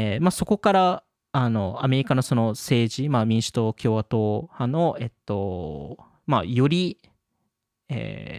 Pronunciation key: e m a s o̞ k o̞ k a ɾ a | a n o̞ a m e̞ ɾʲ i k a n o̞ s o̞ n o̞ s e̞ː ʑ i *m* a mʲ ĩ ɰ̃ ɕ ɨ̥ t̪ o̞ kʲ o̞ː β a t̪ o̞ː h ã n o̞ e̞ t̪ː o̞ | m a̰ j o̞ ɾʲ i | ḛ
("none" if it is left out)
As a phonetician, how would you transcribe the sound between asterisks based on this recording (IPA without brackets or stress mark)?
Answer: m